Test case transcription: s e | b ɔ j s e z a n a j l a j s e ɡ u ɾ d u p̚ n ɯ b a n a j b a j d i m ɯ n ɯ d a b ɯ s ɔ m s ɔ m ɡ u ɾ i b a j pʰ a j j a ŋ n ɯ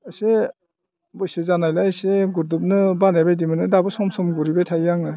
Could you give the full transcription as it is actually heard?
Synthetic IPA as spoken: s e | b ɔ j s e z a n a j l a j s e ɡ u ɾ d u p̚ n ɯ b a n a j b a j d i m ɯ n ɯ d a b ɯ s ɔ m s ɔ m ɡ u ɾ i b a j tʰ a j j a ŋ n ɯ